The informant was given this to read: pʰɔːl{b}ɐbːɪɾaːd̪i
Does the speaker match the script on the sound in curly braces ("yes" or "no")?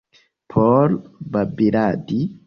yes